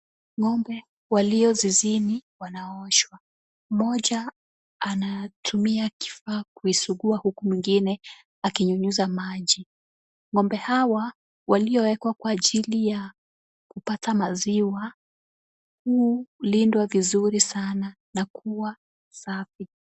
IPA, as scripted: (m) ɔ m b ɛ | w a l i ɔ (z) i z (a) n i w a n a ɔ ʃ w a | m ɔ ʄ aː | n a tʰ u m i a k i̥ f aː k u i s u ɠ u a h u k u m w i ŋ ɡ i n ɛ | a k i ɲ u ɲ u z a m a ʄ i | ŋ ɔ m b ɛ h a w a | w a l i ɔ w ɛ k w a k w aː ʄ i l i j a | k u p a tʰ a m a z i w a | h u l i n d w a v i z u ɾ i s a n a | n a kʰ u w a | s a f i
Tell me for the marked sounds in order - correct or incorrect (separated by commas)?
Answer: incorrect, correct, incorrect